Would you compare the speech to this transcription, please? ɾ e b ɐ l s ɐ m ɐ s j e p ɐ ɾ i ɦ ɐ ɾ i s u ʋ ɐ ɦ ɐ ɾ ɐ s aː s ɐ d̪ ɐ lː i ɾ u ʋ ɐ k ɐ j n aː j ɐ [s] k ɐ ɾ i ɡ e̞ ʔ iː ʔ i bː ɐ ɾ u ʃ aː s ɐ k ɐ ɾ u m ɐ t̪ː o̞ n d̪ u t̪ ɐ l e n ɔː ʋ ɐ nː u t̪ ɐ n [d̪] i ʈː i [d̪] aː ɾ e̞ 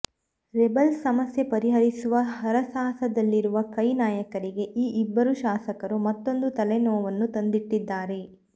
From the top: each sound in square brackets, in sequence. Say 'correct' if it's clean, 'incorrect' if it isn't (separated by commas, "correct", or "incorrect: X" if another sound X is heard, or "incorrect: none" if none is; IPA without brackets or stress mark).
incorrect: none, correct, incorrect: d̪ː